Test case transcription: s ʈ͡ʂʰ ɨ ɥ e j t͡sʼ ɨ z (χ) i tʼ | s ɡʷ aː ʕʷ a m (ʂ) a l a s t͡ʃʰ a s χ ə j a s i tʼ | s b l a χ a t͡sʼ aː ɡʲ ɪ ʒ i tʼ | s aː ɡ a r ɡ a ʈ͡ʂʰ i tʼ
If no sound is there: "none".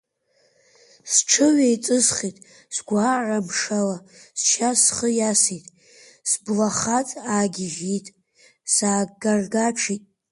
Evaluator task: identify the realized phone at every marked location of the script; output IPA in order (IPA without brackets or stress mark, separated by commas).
χ, ʂ